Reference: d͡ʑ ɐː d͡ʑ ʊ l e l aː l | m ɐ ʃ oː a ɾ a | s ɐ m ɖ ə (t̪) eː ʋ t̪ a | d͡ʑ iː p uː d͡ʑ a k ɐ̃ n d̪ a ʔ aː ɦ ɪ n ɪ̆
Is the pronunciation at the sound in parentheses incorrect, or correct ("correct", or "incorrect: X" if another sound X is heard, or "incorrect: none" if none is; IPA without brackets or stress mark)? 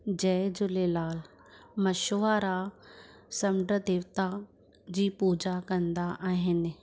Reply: incorrect: d̪